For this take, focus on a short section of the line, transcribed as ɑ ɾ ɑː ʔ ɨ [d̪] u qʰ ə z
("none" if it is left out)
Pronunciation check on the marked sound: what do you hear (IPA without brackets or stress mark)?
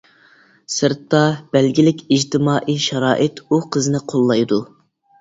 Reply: t̪